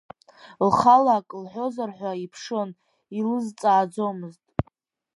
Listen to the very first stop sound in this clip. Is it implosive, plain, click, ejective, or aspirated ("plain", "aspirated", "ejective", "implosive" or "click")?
ejective